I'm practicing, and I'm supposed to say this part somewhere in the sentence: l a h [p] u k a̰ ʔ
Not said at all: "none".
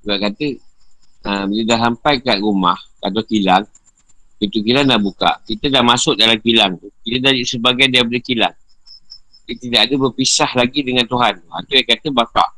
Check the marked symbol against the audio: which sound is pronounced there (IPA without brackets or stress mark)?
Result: b